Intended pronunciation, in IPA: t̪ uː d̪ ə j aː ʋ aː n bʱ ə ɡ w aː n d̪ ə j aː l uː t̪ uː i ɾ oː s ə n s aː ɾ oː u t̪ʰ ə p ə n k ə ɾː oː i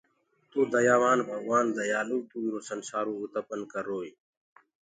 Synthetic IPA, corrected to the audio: t̪ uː d̪ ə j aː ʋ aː n bʱ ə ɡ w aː n d̪ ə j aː l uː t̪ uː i ɾ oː s ə n s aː ɾ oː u t̪ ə p ə n k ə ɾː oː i